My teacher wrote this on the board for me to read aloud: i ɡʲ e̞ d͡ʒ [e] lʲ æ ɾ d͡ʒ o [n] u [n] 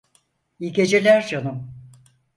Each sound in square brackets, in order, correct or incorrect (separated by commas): correct, correct, incorrect